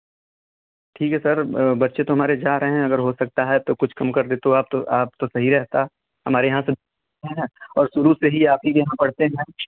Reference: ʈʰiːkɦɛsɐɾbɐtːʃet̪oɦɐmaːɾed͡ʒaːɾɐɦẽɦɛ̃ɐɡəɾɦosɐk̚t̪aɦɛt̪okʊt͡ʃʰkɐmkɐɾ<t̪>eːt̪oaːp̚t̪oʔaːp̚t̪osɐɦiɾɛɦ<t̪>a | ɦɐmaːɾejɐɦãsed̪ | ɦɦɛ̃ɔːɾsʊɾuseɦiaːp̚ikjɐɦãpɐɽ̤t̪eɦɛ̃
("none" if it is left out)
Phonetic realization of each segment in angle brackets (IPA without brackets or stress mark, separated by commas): d̪, t̪